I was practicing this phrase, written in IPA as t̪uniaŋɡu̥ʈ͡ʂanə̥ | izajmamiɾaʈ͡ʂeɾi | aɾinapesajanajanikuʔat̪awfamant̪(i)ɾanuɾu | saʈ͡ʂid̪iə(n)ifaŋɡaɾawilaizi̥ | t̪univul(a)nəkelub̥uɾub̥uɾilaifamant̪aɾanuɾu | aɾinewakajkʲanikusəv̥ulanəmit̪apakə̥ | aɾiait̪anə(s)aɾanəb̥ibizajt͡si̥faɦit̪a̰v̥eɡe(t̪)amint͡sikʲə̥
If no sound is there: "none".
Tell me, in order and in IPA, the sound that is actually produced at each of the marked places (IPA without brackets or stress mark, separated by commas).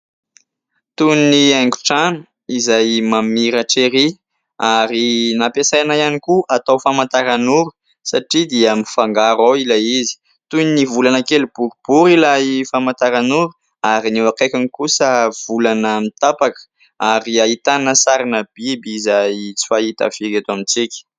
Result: a, m, a, s, t̪